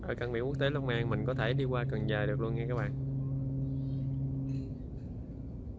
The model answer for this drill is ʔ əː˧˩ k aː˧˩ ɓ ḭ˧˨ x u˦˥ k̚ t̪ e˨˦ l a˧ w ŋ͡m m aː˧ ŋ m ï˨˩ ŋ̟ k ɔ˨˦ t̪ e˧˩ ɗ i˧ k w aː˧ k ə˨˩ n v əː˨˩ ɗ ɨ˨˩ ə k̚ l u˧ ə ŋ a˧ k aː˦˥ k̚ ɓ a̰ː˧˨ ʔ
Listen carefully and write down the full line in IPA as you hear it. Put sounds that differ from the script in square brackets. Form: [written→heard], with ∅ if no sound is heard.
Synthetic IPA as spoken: ʔ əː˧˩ k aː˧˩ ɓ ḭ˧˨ [x→k] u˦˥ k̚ t̪ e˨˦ l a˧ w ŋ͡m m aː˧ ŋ m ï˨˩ ŋ̟ k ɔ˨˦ [t̪→t̪ʰ] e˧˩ ɗ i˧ k w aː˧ k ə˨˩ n [v→z] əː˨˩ ɗ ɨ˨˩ ə k̚ l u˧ ə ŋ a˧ k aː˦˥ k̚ ɓ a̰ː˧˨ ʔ